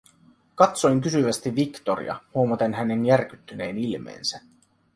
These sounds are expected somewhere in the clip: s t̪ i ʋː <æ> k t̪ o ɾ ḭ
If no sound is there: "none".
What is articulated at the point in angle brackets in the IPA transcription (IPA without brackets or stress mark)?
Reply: i